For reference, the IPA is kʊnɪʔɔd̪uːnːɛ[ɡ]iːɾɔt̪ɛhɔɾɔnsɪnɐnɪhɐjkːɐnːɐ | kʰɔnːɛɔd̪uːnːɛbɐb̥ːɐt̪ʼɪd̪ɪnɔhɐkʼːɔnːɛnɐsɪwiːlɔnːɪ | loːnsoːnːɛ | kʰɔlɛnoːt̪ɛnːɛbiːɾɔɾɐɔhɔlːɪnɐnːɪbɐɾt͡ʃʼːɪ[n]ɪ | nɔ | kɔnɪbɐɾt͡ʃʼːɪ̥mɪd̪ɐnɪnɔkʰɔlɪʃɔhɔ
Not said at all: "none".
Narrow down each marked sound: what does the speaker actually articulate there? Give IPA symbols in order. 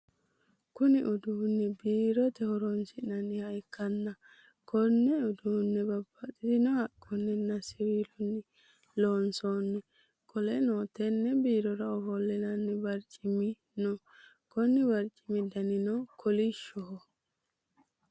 b, m

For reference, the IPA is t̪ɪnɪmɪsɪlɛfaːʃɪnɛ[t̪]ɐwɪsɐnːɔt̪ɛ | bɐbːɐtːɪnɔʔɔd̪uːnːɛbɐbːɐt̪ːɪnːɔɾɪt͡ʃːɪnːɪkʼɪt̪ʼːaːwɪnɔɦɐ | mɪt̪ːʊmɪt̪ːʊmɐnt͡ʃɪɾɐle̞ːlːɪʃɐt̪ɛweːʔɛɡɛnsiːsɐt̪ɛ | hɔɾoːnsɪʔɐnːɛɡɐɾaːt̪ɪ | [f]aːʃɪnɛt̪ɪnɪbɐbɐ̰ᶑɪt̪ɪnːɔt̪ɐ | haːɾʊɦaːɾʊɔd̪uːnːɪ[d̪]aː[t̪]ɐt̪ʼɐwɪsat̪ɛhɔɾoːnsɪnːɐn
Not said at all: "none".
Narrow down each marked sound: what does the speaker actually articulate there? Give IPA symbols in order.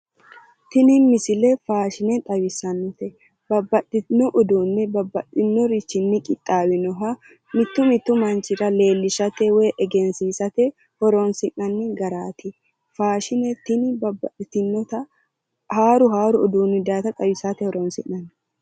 t̪ʼ, f, d̪, t̪

